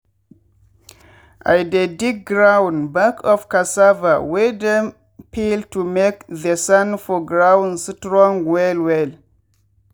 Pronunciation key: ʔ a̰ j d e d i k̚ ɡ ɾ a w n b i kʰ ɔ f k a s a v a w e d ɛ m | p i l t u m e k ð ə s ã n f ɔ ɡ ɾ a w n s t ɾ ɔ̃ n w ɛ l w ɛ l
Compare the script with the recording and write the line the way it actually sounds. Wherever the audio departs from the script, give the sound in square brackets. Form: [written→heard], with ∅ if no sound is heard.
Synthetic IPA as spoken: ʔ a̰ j d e d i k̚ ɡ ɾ a w n b [i→a] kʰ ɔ f k a s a v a w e d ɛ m | p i l t u m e k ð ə s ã n f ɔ ɡ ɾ a w n s t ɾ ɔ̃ [n→ŋ] w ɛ l w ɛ l